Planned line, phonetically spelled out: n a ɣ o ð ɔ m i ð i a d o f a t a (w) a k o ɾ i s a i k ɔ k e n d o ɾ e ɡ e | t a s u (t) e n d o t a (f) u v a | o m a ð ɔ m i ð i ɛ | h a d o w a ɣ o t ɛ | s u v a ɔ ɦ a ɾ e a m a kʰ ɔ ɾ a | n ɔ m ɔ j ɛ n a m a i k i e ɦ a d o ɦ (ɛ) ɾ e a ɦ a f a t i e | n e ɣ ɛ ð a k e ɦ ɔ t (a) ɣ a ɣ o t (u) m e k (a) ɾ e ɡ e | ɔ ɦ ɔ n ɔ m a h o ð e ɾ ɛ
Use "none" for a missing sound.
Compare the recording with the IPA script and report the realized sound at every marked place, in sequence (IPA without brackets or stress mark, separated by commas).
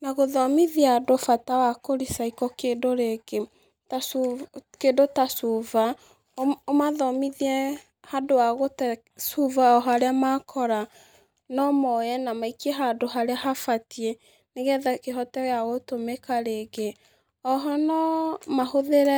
w, k, s, a, ɛ, o, a